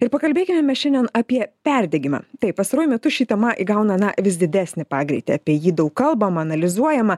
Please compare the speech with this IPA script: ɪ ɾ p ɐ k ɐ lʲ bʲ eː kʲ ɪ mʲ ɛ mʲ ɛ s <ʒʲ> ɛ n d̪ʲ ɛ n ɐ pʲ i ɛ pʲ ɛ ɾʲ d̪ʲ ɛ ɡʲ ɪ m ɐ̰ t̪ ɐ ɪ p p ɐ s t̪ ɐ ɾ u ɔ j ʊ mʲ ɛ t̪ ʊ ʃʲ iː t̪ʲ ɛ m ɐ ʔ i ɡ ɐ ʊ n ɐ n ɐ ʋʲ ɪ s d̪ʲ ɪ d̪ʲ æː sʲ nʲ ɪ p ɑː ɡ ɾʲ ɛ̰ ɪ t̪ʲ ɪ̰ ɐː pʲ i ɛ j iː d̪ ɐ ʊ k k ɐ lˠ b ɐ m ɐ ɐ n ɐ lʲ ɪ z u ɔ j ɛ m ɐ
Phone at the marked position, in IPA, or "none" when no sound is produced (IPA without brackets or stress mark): ʃʲ